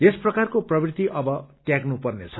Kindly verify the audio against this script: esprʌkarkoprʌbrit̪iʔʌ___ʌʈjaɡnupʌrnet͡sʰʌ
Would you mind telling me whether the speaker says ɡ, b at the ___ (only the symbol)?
b